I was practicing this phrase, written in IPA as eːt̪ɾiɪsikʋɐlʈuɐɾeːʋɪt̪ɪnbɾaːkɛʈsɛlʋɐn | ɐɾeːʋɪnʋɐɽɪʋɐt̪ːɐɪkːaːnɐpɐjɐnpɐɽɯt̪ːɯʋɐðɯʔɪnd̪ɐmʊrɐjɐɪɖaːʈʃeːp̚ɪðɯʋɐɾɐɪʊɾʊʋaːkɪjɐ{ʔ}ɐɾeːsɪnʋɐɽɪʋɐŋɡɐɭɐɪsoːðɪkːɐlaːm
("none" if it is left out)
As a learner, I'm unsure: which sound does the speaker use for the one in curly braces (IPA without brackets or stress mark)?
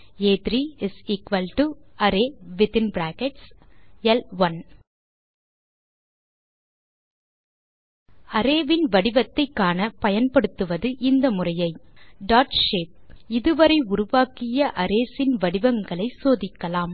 ʔ